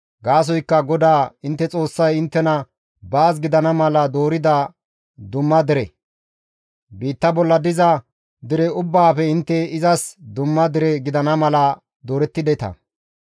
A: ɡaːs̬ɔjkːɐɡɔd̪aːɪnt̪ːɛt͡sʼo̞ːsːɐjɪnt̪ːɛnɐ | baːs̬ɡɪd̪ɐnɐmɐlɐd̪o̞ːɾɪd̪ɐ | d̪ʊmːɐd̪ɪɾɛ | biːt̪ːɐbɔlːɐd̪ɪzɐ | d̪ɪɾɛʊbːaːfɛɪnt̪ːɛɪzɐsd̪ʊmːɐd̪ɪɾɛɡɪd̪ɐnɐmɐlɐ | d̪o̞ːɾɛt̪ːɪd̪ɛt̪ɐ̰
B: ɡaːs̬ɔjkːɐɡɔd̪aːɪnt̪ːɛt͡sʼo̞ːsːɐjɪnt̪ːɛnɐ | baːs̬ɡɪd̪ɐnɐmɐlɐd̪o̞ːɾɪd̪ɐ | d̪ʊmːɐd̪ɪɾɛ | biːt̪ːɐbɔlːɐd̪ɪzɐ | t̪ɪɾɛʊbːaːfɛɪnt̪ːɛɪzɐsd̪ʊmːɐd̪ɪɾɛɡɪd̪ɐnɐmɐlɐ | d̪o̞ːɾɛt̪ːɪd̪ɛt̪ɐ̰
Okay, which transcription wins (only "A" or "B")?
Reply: A